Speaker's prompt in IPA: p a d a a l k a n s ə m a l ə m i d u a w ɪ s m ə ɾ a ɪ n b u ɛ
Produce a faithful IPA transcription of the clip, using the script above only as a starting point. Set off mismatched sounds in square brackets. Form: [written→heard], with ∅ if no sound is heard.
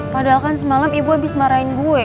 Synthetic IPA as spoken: p a d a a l k a n s ə m a l [ə→a] m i [d→b] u a [w→b] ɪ s m [ə→a] ɾ a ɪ n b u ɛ